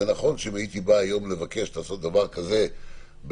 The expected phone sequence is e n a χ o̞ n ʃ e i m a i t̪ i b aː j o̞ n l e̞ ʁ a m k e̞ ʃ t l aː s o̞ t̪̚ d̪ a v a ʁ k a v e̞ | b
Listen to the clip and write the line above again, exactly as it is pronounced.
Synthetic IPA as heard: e n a χ o̞ n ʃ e i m a i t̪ i b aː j o̞ m l e̞ v a k e̞ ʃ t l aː s o̞ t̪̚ d̪ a v a ʁ k a z e̞ | b